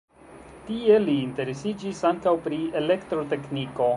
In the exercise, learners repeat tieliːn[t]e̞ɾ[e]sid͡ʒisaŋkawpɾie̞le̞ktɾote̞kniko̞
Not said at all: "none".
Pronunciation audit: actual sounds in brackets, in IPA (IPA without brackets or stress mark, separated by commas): t, e